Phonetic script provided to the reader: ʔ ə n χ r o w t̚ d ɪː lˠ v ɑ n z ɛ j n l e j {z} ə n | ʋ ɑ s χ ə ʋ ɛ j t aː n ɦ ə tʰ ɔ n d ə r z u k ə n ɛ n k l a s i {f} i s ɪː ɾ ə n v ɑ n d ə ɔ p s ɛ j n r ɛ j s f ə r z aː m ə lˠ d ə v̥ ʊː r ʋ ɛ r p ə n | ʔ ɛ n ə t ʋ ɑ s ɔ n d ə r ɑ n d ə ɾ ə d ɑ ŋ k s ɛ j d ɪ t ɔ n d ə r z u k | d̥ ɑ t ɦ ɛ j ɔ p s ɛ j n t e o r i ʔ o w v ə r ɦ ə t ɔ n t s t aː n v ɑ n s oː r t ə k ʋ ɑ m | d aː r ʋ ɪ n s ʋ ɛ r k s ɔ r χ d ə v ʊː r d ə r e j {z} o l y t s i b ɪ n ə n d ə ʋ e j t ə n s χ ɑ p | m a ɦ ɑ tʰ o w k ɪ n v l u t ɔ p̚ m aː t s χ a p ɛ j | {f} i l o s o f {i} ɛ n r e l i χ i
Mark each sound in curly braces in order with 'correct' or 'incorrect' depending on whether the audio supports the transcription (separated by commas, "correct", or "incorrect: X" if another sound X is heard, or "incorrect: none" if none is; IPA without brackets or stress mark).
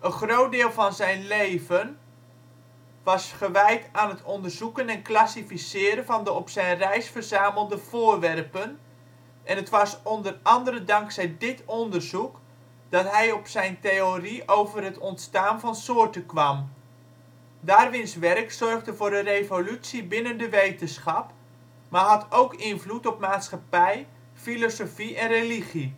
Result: incorrect: v, correct, incorrect: v, correct, correct